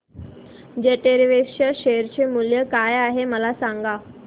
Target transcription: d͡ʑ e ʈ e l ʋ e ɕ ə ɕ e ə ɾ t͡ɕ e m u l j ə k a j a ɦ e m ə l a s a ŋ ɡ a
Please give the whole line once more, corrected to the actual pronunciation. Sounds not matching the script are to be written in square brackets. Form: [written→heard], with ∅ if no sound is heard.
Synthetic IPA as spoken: d͡ʑ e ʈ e [l→ɾ] ʋ e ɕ ə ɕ e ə ɾ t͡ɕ e m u l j ə k a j a ɦ e m ə l a s a ŋ ɡ a